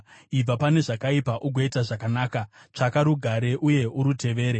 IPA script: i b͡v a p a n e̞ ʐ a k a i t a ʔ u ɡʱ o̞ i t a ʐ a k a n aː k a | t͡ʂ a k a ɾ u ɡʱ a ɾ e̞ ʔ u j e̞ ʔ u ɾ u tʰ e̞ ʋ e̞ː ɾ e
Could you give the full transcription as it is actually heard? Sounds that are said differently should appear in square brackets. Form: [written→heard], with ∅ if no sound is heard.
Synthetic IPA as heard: i b͡v a p a n e̞ ʐ a k a i [t→p] a ʔ u ɡʱ o̞ i t a ʐ a k a n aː k a | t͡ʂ a k a ɾ u ɡʱ a ɾ e̞ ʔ u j e̞ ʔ u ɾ u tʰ e̞ ʋ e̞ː ɾ e